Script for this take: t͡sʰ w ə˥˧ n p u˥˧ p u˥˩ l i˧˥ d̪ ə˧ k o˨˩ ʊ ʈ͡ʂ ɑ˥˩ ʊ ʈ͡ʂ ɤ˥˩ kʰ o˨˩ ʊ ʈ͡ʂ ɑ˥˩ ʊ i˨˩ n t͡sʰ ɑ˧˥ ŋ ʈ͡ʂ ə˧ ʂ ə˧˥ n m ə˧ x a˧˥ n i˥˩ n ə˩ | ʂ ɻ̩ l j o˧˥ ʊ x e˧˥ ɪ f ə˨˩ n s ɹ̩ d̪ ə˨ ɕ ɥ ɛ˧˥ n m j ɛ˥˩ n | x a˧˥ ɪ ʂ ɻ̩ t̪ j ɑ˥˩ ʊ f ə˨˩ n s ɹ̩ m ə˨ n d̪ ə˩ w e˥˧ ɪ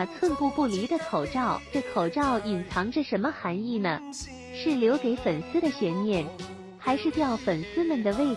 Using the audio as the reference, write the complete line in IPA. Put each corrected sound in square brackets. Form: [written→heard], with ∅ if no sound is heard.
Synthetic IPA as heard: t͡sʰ w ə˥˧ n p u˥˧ p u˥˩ l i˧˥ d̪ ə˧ [k→kʰ] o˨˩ ʊ ʈ͡ʂ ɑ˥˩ ʊ ʈ͡ʂ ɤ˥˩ kʰ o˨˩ ʊ ʈ͡ʂ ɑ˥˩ ʊ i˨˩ n t͡sʰ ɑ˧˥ ŋ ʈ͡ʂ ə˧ ʂ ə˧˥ n m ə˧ x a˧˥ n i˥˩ n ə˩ | ʂ ɻ̩ l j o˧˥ ʊ [x→k] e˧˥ ɪ f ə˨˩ n s ɹ̩ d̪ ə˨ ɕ ɥ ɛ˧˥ n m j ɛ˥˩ n | x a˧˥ ɪ ʂ ɻ̩ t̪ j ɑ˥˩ ʊ f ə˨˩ n s ɹ̩ m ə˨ n d̪ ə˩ w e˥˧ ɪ